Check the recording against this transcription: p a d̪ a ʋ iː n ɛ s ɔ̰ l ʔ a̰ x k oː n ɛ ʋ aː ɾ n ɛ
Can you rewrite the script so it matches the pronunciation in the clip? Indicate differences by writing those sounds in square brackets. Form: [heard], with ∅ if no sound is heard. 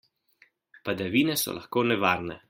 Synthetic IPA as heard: p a d̪ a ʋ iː n ɛ s ɔ̰ l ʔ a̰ x k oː n ɛ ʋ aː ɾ n ɛ